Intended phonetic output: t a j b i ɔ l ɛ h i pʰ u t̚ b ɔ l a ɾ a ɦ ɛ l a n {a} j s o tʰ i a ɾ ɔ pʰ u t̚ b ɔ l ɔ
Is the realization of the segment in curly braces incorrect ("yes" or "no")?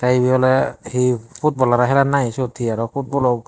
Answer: no